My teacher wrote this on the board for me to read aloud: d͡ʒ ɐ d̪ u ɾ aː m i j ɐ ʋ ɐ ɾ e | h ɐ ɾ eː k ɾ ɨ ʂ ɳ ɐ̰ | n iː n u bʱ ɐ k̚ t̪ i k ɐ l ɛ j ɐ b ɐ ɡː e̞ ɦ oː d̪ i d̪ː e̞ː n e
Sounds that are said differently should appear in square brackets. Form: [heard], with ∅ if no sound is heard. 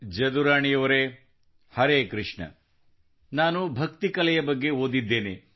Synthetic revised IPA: d͡ʒ ɐ d̪ u ɾ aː [ɳ] i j ɐ ʋ ɐ ɾ e | h ɐ ɾ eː k ɾ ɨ ʂ ɳ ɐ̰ | n [aː] n u bʱ ɐ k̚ t̪ i k ɐ l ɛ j ɐ b ɐ ɡː e̞ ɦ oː d̪ i d̪ː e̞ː n e